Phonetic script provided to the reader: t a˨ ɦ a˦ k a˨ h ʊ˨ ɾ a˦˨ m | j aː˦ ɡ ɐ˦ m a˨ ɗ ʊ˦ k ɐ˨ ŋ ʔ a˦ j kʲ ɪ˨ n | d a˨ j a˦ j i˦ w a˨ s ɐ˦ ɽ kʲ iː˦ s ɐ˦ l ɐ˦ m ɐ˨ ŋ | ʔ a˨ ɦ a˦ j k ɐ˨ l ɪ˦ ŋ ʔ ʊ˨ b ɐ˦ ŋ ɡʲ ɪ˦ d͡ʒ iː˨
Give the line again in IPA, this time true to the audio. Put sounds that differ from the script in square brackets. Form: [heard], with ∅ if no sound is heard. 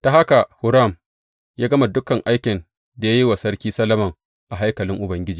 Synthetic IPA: t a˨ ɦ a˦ k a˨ h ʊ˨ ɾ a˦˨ m | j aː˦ ɡ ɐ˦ m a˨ [d] ʊ˦ k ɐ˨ ŋ ʔ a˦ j kʲ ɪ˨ n | d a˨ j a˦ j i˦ w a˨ s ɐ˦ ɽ kʲ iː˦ s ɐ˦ l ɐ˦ m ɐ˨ ŋ | ʔ a˨ ɦ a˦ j k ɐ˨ l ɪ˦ ŋ ʔ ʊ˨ b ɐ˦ ŋ ɡʲ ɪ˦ d͡ʒ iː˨